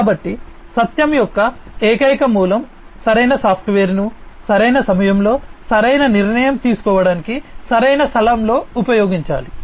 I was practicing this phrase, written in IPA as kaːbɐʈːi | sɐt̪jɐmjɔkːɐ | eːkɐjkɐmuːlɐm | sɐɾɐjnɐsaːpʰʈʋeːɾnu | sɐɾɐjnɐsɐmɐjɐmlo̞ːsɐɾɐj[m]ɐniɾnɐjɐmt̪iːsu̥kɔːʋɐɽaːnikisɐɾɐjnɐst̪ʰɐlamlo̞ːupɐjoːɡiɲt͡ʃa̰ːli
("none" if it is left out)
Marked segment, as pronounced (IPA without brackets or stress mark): n